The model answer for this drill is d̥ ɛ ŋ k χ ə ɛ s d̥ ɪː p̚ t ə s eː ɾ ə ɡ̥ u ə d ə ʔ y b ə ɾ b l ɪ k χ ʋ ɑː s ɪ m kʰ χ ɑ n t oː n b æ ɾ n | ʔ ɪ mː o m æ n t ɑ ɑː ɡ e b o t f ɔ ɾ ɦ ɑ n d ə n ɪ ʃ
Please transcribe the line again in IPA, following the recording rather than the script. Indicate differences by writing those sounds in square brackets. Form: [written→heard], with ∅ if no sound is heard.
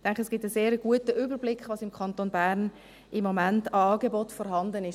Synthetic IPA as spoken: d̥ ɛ ŋ k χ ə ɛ s [d̥→ɡ̥] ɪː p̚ t ə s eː ɾ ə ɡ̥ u ə [d→t] ə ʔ y b ə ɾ b l ɪ k χ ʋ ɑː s ɪ m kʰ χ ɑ n t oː n b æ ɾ n | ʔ ɪ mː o m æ n t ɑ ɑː ɡ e b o t f ɔ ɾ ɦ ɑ n d ə n ɪ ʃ